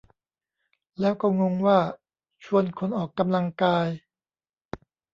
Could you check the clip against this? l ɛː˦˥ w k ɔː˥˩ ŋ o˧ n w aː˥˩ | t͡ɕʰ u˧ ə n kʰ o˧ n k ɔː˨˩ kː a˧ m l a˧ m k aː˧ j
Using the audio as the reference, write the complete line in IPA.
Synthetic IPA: l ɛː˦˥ w k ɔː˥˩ ŋ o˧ ŋ w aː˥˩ | t͡ɕʰ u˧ ə n kʰ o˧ n ʔ ɔː˨˩ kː a˧ m l a˧ ŋ k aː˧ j